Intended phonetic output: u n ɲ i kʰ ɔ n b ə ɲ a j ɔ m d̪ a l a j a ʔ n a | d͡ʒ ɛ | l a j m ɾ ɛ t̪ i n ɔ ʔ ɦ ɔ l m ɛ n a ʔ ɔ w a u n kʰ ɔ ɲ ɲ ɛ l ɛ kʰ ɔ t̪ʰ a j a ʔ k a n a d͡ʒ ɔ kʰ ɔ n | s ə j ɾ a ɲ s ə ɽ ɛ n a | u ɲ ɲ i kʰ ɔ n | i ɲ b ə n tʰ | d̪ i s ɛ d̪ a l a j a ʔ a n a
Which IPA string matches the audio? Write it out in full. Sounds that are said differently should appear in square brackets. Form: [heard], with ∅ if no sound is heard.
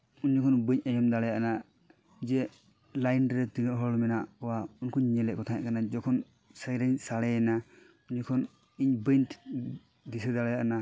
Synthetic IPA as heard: u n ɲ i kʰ ɔ n b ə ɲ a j ɔ m d̪ a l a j a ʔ n a | d͡ʒ ɛ | l a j [n] ɾ ɛ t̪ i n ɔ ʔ ɦ ɔ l m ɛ n a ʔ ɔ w a u n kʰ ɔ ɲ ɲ ɛ l ɛ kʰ ɔ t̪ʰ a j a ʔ k a n a d͡ʒ ɔ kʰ ɔ n | s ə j ɾ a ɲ s [a] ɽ ɛ n a | u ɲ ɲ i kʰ ɔ n | i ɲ b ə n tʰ | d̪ i s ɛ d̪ a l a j a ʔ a n a